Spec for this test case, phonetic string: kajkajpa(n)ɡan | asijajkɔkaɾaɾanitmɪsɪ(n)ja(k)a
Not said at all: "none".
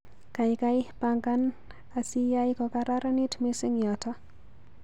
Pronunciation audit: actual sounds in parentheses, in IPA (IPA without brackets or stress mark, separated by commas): ŋ, ŋ, t